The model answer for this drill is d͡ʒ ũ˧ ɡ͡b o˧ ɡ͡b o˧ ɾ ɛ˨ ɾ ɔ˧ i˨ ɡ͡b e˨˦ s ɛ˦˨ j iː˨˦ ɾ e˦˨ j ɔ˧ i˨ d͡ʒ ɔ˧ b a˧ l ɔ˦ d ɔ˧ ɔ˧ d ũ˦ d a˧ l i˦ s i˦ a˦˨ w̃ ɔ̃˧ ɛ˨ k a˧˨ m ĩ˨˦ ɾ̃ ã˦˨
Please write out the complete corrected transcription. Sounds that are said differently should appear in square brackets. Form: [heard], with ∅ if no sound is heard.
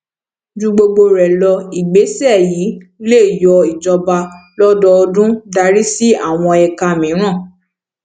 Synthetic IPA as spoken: d͡ʒ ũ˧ ɡ͡b o˧ ɡ͡b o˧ ɾ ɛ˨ [l] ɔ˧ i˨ ɡ͡b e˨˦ s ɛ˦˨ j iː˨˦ [l] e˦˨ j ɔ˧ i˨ d͡ʒ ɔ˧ b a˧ l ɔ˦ d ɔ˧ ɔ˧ d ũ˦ d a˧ [ɾ] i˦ s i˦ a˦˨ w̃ ɔ̃˧ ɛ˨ k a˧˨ m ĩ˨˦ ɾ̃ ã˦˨